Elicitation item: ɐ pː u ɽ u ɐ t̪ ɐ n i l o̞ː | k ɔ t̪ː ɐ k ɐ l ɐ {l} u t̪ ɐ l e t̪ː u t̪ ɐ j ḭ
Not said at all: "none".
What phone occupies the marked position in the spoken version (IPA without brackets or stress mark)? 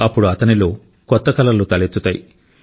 l